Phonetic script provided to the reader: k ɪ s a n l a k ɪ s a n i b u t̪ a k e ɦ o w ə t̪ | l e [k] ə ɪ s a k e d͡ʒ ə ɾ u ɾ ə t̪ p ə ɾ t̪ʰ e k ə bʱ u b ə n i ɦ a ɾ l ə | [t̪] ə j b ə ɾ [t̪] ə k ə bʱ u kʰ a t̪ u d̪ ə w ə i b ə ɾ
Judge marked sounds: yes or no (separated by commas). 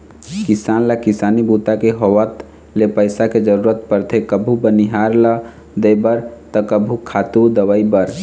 no, no, yes